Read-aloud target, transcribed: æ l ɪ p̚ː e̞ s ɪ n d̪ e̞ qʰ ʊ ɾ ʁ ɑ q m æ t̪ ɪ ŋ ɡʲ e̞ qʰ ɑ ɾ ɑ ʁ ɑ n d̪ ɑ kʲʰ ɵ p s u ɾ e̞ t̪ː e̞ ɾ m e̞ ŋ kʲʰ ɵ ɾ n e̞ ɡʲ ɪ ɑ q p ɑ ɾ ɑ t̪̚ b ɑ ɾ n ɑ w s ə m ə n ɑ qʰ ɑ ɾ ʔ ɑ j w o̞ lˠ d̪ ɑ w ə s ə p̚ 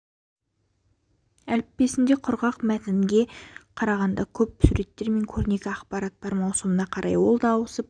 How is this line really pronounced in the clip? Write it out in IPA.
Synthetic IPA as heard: æ l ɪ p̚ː e̞ s ɪ n d̪ e̞ qʰ ʊ ɾ ʁ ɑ q m æ t̪ ɪ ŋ ɡʲ e̞ qʰ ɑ ɾ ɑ ʁ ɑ n d̪ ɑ kʲʰ ɵ p s u ɾ e̞ t̪ː e̞ ɾ m e̞ ŋ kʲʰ ɵ ɾ n e̞ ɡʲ ɪ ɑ q p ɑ ɾ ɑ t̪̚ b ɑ ɾ m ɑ w s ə m ə n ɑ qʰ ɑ ɾ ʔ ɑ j w o̞ lˠ d̪ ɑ w ə s ə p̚